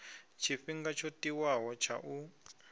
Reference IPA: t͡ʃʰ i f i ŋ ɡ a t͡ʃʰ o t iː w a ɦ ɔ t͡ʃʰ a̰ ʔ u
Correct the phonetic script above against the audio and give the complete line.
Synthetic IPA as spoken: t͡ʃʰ i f i ŋ ɡ a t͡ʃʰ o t i w a ɦ ɔ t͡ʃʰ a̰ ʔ u